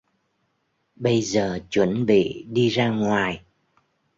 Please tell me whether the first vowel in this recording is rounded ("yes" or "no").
no